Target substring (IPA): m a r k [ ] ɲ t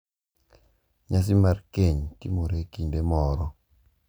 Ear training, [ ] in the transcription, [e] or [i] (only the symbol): e